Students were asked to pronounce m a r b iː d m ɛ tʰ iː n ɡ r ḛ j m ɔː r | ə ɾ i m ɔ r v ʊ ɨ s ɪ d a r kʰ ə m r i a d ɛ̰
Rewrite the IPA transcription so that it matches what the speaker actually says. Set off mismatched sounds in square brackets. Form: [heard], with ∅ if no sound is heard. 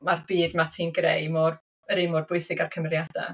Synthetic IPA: m a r b iː d m [a] tʰ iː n ɡ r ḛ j m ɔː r | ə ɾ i m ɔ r [b] ʊ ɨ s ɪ [ɡ] a r kʰ ə m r [j] a d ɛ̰